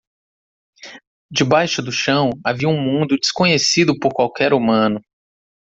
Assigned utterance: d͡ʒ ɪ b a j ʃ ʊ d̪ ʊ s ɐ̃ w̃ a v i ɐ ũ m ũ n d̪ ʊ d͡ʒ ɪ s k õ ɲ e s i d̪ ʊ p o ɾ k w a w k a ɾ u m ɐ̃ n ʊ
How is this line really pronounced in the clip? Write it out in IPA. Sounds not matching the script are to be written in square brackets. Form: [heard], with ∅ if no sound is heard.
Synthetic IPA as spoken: d͡ʒ ɪ b a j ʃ ʊ d̪ ʊ [ʃ] ɐ̃ w̃ a v i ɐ ũ m ũ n d̪ ʊ d͡ʒ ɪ s k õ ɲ e s i d̪ ʊ p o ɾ k w a w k [ɛ] ɾ u m ɐ̃ n ʊ